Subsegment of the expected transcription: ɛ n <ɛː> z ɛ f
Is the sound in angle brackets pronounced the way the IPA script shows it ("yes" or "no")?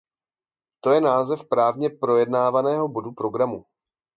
no